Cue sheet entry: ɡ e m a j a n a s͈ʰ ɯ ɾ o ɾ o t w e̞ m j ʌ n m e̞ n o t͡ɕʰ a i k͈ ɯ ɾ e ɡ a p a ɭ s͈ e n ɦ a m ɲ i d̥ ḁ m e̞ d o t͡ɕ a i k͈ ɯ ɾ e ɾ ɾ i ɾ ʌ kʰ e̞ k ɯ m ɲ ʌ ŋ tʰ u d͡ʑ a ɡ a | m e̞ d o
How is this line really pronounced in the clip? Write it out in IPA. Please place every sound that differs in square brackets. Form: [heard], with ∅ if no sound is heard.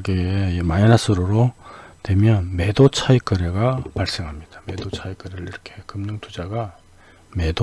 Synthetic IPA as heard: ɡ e m a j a n a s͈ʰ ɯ ɾ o ɾ o t w e̞ m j ʌ n m e̞ [d] o t͡ɕʰ a i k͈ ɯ ɾ e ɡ a p a ɭ s͈ e [ŋ] ɦ a m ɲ i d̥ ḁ m e̞ d o [t͡ɕʰ] a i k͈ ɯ ɾ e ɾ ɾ i ɾ ʌ kʰ e̞ k ɯ m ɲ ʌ ŋ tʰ u d͡ʑ a ɡ a | m e̞ d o